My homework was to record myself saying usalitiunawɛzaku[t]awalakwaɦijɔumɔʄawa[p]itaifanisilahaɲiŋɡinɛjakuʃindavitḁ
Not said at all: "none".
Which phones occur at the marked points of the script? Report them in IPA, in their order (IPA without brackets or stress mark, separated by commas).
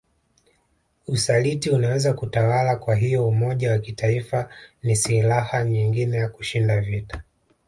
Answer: t, k